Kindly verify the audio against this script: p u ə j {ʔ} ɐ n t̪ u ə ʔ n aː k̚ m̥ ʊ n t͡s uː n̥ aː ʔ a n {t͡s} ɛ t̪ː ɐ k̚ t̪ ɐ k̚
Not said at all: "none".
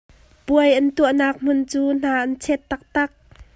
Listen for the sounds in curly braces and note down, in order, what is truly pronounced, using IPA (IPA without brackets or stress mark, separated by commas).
ʔ, t͡sʰ